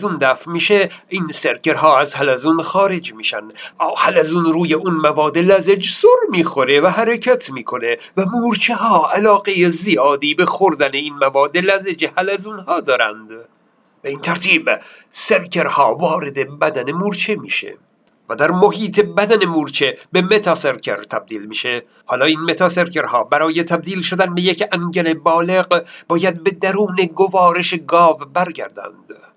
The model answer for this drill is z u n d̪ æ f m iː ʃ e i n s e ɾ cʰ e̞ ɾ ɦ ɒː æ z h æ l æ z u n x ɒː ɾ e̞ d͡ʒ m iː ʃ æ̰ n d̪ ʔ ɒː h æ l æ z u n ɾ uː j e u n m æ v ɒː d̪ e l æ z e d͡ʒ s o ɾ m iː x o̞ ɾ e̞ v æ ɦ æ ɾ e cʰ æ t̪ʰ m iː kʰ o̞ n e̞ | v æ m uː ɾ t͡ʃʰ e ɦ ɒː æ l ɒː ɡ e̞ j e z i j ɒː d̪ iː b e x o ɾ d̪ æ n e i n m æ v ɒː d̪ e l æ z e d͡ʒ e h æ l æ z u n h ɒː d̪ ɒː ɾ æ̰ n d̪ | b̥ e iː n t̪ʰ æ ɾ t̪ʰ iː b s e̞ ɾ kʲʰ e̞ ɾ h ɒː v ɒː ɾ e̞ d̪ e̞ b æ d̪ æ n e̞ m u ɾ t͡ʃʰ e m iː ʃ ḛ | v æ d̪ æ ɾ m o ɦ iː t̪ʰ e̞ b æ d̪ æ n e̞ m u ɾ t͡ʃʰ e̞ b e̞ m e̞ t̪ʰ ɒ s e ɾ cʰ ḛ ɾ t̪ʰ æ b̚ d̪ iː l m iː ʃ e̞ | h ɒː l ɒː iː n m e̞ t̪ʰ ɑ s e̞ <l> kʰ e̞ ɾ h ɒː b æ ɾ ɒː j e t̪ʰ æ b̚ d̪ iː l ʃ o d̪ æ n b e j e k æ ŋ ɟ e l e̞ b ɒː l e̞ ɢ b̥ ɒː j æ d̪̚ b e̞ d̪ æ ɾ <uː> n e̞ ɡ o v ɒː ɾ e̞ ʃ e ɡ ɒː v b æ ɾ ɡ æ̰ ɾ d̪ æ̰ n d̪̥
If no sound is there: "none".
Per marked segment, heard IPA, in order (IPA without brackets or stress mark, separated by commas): ɾ, uː